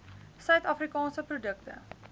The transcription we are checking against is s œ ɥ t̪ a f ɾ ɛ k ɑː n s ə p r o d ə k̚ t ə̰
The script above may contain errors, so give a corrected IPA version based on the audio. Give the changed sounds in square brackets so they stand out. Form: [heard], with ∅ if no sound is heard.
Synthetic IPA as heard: s œ ɥ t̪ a f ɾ [i] k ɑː n s ə p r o d ə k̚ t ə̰